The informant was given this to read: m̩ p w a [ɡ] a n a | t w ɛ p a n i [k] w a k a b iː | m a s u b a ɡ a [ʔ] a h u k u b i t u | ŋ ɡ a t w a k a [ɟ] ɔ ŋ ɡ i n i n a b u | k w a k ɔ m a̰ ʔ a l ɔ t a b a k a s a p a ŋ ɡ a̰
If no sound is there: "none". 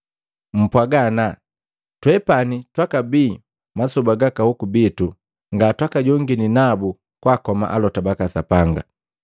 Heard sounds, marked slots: ɡ, t, k, ɟ

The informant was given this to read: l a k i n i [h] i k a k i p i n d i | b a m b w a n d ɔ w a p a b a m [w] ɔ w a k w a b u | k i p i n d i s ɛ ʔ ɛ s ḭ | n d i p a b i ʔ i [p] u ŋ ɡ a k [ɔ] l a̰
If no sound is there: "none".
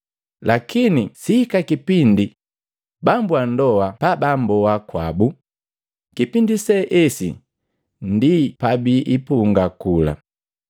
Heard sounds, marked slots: s, b, p, u

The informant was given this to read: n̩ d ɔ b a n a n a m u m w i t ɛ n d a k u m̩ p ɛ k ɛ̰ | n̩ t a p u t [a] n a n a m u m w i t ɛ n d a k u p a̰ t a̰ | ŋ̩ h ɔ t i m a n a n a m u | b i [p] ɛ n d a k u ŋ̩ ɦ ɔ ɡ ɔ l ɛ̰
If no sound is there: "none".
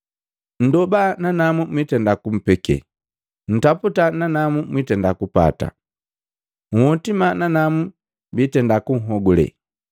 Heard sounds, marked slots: a, t

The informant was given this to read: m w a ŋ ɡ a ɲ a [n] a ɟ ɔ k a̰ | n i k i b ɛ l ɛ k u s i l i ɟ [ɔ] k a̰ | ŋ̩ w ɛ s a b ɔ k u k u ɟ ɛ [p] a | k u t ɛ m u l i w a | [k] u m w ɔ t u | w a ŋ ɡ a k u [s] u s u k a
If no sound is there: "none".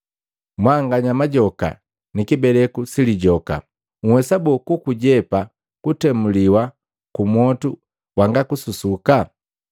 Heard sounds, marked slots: m, ɔ, p, k, s

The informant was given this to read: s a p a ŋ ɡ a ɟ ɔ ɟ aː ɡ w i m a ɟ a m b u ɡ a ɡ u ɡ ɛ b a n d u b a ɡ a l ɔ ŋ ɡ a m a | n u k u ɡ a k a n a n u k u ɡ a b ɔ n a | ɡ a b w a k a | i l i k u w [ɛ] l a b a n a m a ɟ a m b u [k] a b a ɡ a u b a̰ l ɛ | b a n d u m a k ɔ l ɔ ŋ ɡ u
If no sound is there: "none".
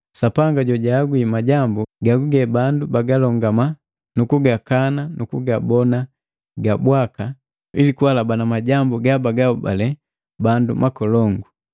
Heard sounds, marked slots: a, ɡ

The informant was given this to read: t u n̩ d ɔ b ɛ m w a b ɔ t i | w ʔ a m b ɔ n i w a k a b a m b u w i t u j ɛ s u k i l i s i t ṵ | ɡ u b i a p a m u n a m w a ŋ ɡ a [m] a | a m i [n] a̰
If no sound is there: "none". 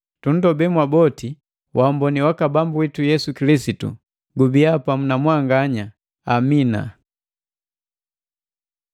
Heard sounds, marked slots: ɲ, n

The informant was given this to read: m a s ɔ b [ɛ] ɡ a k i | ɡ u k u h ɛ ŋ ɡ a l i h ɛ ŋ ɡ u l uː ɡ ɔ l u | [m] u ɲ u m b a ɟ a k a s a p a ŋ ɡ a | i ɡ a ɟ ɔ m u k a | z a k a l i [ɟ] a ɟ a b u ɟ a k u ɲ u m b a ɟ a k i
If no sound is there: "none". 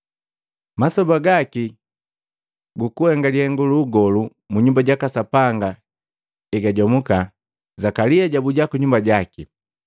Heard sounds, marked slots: a, m, none

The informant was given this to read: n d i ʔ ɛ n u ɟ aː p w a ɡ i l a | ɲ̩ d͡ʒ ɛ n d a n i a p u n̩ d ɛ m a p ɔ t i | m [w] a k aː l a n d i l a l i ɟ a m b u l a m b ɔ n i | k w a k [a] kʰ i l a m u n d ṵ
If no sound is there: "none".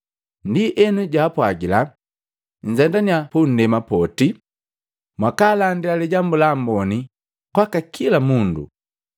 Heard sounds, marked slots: w, a

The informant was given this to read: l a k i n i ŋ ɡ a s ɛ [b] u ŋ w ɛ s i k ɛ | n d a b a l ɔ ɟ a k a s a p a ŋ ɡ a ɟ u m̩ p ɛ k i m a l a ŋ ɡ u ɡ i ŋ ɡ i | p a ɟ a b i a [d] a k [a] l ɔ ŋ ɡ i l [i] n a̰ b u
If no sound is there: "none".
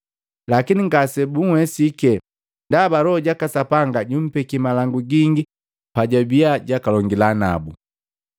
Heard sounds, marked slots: b, ɟ, a, a

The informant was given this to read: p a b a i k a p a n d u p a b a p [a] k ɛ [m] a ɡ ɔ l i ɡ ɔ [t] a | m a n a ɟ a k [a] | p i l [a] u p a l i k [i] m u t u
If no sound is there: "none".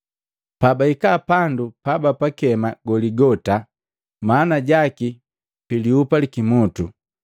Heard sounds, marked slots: a, m, t, i, i, i

